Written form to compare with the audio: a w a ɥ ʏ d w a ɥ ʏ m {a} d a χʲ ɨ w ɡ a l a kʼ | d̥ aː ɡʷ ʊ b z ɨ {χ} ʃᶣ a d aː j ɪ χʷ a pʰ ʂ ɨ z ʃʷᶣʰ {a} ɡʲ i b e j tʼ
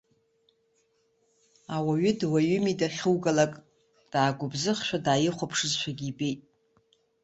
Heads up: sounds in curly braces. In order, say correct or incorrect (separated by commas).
incorrect, correct, correct